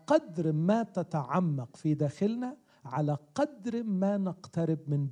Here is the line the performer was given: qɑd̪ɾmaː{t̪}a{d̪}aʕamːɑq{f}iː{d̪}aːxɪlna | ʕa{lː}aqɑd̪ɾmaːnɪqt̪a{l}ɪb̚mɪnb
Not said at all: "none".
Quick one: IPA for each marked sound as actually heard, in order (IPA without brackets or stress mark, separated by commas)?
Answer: t̪, t̪, f, d̪, l, ɾ